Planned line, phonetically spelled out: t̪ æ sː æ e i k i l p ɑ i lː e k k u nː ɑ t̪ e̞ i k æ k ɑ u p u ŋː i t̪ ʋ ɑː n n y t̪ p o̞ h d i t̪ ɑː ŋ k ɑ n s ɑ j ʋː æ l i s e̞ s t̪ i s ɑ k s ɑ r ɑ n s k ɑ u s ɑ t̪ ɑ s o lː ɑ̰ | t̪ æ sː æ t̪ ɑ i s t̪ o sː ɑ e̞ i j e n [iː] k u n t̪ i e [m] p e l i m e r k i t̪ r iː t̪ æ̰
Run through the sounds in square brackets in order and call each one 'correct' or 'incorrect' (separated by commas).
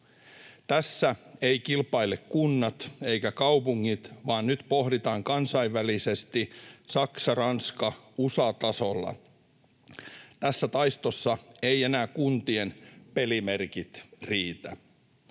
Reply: incorrect, incorrect